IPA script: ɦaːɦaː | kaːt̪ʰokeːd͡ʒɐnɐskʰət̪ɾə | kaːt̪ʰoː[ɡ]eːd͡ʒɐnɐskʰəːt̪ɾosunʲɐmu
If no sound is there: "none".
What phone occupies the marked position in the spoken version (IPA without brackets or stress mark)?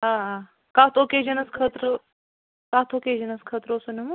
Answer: k